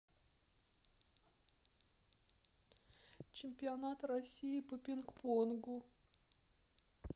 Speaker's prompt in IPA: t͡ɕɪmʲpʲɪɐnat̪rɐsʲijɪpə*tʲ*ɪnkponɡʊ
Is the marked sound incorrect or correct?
incorrect: pʲ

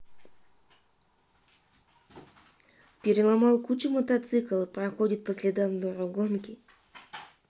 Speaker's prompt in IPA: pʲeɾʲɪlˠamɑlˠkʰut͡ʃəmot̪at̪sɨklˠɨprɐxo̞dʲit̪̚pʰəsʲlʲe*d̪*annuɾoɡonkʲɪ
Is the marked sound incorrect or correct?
correct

